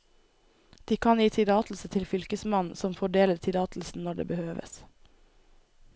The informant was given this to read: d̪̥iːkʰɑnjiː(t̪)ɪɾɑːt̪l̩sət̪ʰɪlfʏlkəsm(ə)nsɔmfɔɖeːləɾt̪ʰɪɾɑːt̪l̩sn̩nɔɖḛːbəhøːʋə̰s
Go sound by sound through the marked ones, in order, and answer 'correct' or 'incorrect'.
incorrect, incorrect

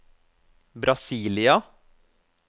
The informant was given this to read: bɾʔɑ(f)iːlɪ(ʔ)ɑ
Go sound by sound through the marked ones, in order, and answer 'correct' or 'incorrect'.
incorrect, incorrect

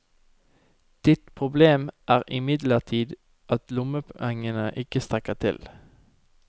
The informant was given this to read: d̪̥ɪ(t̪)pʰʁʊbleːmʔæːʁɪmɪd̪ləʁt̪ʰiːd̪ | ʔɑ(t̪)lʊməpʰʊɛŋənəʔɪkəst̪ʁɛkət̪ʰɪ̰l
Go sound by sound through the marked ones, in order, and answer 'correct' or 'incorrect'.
correct, correct

